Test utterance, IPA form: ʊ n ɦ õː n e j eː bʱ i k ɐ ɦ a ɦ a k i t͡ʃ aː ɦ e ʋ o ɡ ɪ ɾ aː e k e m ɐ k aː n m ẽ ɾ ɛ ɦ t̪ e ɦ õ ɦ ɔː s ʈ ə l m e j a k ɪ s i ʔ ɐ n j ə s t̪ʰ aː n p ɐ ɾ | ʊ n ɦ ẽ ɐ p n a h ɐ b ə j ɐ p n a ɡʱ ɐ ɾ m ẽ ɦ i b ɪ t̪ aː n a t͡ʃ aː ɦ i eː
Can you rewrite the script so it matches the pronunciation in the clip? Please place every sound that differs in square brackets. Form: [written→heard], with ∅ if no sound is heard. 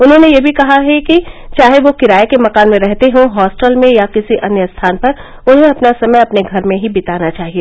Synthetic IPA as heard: ʊ n ɦ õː n e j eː bʱ i k ɐ ɦ a ɦ [a→ɛ] k i t͡ʃ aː ɦ e ʋ o [ɡ→k] ɪ ɾ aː e k e m ɐ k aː n m ẽ ɾ ɛ ɦ t̪ e ɦ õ ɦ ɔː s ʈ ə l m [e→ẽ] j a k ɪ s i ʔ ɐ n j ə s t̪ʰ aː n p ɐ ɾ | ʊ n ɦ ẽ ɐ p n a [h→s] ɐ [b→m] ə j ɐ p n [a→e] ɡʱ ɐ ɾ m ẽ ɦ i b ɪ t̪ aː n a t͡ʃ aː ɦ i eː